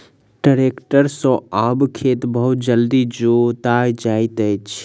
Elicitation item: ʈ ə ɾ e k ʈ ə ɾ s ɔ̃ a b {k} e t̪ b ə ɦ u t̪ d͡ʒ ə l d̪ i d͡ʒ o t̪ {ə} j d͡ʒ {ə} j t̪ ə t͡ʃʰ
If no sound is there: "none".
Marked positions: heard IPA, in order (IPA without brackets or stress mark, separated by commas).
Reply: kʰ, a, a